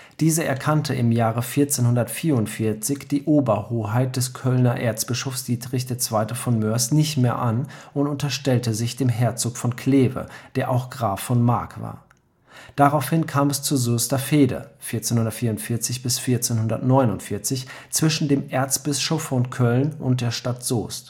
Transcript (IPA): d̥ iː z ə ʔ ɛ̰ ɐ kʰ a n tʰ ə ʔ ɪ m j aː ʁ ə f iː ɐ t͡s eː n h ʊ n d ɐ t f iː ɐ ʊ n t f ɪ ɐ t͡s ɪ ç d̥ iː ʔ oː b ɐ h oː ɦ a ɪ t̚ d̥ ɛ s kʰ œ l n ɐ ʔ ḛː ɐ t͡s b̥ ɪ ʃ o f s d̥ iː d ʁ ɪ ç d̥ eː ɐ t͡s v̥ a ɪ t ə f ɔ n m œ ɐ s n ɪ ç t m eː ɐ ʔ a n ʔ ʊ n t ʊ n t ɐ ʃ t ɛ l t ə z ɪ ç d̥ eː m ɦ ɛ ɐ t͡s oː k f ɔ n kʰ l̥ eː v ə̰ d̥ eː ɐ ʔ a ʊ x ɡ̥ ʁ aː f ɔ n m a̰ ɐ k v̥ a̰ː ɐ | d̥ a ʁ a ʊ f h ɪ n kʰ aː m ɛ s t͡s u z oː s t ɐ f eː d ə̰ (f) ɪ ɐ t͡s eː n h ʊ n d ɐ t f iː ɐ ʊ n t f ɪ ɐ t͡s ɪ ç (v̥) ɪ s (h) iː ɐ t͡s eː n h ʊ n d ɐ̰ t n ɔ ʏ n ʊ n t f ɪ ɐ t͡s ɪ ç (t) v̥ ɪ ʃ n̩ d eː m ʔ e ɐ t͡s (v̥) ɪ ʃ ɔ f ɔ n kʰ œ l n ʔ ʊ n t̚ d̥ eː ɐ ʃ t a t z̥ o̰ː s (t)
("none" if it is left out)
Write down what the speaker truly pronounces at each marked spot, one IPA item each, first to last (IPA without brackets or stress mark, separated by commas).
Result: f, b̥, f, t͡s, b̥, t